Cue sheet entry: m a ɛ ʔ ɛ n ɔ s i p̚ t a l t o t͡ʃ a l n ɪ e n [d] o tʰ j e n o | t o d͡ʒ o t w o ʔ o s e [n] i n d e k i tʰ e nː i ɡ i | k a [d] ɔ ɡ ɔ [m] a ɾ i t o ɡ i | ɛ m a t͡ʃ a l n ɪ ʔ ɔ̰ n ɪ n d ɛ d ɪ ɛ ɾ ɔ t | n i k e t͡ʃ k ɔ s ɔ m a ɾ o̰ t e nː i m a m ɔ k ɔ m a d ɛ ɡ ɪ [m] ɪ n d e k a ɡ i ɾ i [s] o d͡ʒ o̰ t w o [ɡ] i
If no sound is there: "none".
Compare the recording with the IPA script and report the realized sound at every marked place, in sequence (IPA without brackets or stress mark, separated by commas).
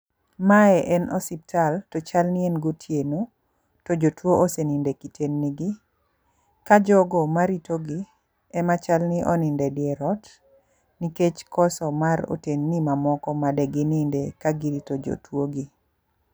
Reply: ɡ, n, d͡ʒ, m, n, t, ɡ